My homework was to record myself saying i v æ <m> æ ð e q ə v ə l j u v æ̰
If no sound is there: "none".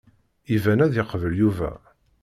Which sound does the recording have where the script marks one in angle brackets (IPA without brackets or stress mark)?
n